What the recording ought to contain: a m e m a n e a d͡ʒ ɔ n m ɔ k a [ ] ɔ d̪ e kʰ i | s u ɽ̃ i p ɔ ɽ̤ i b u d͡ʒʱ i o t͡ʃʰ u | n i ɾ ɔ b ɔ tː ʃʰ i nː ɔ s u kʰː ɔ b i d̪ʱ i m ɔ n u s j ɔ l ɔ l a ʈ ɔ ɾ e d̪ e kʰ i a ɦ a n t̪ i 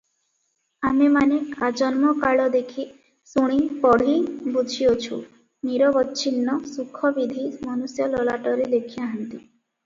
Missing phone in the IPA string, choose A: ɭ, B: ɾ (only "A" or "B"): A